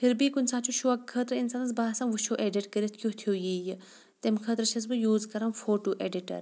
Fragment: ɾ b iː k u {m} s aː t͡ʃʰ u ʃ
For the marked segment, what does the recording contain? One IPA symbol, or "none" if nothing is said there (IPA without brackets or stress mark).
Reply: n